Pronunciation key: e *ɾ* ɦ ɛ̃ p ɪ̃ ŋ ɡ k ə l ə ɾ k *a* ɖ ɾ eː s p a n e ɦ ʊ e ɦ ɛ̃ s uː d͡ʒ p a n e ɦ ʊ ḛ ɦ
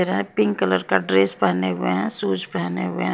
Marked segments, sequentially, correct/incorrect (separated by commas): correct, correct